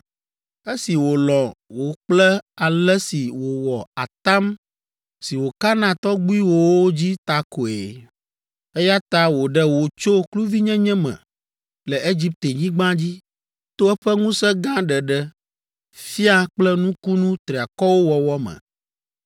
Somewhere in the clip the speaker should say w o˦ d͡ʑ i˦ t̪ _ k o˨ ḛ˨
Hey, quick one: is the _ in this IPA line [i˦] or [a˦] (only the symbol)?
a˦